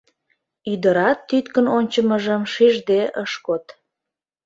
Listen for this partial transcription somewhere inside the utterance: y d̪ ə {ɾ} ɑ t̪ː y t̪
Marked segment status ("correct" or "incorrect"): correct